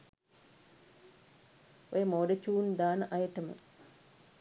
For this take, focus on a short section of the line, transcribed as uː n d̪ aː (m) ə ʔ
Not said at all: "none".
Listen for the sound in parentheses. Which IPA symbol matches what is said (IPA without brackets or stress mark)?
n